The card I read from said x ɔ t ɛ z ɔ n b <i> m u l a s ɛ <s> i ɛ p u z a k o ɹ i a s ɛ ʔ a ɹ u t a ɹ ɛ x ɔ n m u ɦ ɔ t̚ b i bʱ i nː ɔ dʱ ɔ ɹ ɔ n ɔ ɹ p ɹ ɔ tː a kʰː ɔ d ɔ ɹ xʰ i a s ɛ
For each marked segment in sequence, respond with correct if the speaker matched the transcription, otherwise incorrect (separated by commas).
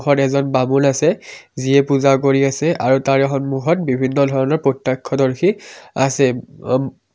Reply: incorrect, incorrect